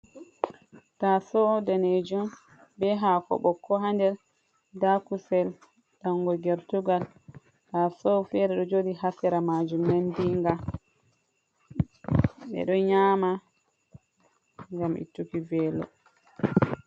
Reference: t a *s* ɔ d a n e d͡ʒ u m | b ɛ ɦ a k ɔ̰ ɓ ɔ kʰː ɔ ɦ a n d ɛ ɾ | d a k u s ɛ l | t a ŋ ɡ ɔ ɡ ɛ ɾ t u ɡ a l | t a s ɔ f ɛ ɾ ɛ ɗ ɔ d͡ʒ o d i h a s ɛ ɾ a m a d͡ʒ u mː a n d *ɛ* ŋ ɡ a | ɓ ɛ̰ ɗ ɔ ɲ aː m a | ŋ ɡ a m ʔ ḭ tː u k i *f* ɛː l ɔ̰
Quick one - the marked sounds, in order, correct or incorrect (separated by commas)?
correct, incorrect, incorrect